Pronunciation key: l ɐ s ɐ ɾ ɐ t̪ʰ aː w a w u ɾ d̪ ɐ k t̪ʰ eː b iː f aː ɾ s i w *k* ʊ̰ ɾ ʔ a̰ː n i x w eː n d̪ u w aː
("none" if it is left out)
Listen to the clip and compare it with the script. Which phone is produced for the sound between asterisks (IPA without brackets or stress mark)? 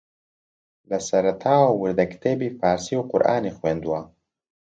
q